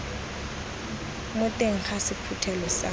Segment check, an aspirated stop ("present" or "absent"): present